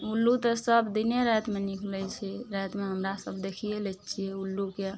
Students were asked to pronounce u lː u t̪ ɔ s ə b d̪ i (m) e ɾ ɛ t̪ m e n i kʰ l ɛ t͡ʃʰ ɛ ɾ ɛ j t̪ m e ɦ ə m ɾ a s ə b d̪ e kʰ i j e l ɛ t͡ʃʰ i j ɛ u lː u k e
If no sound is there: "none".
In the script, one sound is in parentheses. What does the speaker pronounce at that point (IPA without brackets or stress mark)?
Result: n